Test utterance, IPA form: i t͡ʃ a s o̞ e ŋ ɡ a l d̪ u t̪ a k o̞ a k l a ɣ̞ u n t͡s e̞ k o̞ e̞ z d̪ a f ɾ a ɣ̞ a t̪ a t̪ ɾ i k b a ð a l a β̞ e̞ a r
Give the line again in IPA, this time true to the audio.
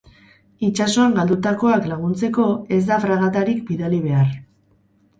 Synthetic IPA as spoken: i t͡ʃ a s o̞ a ŋ ɡ a l d̪ u t̪ a k o̞ a k l a ɣ̞ u n t͡s e̞ k o̞ e̞ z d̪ a f ɾ a ɣ̞ a t̪ a ɾ i k b i ð a l i β̞ e̞ a r